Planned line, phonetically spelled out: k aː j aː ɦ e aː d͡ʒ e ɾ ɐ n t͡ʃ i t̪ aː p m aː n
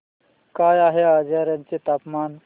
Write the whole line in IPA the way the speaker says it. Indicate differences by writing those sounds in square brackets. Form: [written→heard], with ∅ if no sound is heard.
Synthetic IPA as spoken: k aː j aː ɦ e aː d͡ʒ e ɾ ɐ n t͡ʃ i t̪ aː p m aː n